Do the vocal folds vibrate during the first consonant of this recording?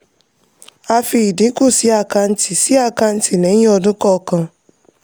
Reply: no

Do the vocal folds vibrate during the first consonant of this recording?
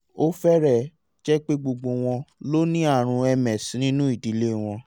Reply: no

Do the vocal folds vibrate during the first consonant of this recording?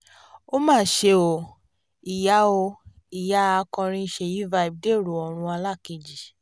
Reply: yes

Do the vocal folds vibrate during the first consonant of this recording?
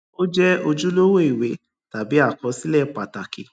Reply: yes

